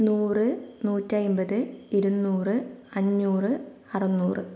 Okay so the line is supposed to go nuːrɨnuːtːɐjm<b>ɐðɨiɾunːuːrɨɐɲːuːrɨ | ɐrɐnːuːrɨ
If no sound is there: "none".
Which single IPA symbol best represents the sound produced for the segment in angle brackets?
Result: b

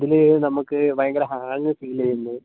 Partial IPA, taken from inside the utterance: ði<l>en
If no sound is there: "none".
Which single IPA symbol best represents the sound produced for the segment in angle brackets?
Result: l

